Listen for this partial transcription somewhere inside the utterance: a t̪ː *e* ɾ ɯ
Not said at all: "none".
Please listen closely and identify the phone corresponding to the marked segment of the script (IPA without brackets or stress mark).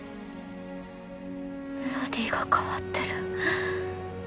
e